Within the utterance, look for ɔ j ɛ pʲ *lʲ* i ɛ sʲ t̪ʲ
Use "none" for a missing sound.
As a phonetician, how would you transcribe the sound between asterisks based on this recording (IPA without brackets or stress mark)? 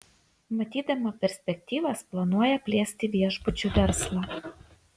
lʲ